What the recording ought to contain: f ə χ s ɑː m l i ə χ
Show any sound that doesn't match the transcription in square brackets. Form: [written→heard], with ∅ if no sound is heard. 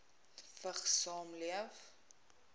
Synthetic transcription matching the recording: f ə χ s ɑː m l i ə [χ→f]